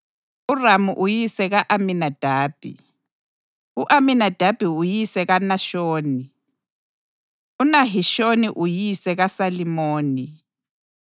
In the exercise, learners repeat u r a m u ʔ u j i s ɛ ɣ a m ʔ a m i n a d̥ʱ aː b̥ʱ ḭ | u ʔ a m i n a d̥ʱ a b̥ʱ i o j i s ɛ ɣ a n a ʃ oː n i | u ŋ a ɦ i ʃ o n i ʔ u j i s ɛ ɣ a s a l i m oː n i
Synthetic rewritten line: u r a m u ʔ u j i s ɛ ɣ a ʔ a m i n a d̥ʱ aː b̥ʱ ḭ | u ʔ a m i n a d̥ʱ a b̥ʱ i u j i s ɛ ɣ a n a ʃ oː n i | u n a ɦ i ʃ o n i ʔ u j i s ɛ ɣ a s a l i m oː n i